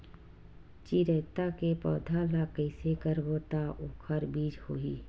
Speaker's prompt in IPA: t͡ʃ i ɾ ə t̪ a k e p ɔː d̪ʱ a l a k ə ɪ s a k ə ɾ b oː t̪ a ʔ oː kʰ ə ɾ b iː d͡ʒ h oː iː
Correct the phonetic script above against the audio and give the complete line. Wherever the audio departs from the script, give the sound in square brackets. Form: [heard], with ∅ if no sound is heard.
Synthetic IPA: t͡ʃ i ɾ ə t̪ a k e p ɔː d̪ʱ a l a k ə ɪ s [e] k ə ɾ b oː t̪ a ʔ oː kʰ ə ɾ b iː d͡ʒ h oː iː